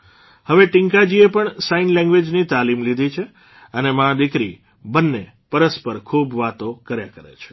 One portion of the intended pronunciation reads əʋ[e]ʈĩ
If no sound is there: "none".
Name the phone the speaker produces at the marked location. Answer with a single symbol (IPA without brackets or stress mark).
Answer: e